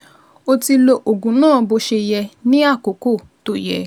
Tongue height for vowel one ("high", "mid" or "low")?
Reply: mid